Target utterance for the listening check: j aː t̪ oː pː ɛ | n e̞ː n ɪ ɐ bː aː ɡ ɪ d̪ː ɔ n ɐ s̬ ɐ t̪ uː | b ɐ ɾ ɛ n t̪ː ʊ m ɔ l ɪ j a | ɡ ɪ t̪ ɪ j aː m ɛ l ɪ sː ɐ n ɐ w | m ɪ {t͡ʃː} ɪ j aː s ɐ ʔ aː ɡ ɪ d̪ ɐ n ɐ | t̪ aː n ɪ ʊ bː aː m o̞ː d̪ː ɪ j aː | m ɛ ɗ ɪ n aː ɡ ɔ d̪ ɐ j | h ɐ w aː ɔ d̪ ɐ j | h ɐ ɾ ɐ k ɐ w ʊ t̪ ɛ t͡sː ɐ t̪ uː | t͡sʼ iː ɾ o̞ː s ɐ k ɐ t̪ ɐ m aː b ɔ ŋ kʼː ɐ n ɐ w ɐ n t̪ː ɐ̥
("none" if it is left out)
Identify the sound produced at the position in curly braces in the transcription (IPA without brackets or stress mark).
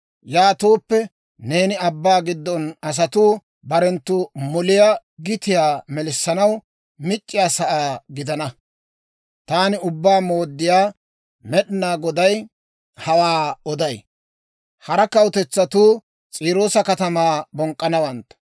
t͡ʃʼː